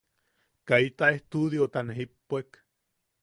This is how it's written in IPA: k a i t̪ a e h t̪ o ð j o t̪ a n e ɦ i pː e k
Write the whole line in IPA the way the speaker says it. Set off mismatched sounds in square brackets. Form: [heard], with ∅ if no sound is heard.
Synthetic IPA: k a i t̪ a e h t̪ [u] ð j o t̪ a n e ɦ i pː e k